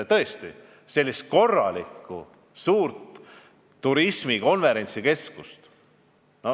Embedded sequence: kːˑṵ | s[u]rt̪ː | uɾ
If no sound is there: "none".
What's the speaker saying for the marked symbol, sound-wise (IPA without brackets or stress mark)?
uː